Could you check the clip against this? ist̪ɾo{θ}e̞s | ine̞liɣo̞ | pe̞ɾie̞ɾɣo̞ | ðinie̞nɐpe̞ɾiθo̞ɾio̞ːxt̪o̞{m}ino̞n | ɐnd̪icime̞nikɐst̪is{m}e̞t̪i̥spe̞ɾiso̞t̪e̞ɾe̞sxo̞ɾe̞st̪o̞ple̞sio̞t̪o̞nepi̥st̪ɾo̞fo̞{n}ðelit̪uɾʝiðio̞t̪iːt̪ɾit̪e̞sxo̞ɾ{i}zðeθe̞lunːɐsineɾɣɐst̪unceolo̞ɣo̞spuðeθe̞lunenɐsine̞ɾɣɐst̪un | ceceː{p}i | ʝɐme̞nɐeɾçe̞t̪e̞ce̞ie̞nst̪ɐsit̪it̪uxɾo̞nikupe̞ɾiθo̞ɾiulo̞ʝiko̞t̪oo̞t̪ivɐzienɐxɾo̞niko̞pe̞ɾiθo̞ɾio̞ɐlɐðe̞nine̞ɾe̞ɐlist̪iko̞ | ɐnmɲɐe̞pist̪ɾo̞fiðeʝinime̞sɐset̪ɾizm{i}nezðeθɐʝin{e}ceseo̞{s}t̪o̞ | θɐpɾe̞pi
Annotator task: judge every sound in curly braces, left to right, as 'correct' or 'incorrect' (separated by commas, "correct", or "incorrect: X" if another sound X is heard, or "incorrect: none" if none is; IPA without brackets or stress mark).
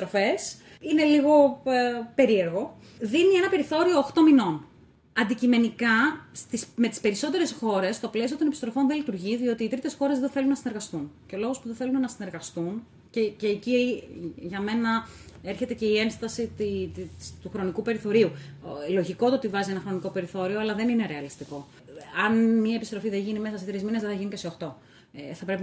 incorrect: f, correct, correct, correct, incorrect: e, incorrect: c, correct, incorrect: i, incorrect: x